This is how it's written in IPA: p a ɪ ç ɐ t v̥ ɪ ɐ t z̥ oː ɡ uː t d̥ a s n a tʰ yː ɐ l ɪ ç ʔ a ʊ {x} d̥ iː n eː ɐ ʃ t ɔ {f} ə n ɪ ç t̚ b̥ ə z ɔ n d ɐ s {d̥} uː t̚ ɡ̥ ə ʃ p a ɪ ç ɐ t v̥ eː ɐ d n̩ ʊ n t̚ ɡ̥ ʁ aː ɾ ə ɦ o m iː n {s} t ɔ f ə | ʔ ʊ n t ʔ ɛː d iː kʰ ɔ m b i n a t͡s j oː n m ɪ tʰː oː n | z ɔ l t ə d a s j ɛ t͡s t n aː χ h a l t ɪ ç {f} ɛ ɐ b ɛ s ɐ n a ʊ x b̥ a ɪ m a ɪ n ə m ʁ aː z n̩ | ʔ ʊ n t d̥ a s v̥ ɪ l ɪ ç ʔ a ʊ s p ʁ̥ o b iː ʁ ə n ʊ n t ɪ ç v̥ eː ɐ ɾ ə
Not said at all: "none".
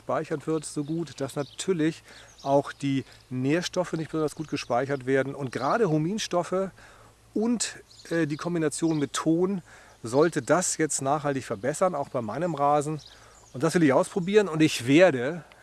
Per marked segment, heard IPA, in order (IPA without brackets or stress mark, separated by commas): x, f, ɡ̥, ʃ, f